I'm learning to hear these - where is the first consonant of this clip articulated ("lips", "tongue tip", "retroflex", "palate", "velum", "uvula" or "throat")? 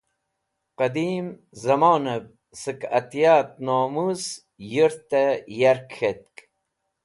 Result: uvula